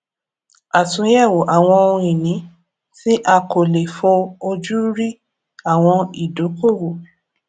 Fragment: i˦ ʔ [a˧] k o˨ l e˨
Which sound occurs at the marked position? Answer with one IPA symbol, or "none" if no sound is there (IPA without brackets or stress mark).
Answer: a˧